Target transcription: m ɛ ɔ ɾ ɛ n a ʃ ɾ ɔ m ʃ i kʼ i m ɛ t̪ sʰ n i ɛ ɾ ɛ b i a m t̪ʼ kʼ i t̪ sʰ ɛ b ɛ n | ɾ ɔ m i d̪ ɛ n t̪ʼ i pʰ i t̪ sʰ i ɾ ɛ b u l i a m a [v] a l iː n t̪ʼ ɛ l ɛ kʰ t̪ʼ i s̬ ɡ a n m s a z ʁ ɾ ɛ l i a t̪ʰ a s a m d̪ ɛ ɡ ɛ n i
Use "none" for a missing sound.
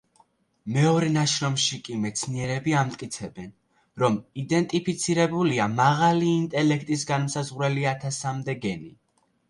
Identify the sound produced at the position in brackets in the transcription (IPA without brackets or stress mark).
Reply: ʁ